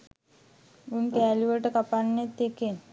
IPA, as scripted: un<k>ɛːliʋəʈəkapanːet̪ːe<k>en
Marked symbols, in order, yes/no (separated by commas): yes, yes